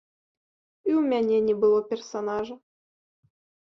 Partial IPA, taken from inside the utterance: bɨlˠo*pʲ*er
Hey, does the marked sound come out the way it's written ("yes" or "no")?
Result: yes